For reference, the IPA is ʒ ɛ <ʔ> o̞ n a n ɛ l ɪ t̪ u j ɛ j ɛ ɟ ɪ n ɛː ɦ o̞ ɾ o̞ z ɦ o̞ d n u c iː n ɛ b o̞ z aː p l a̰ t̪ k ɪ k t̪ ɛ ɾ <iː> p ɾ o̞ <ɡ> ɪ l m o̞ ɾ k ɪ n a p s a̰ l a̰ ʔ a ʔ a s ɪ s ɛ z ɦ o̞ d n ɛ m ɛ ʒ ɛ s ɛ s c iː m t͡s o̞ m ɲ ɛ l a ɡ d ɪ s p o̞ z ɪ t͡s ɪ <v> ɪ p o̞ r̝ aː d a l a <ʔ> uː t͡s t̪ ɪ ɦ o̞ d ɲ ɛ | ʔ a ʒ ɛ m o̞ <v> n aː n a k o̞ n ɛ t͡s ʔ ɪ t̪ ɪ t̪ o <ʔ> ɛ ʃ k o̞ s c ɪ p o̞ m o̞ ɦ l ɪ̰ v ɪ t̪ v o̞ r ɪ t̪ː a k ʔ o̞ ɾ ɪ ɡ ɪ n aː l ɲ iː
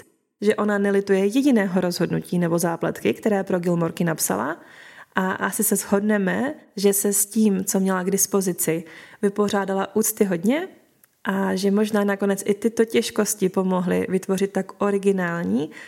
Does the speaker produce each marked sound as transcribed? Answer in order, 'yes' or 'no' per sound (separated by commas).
yes, no, yes, yes, yes, no, no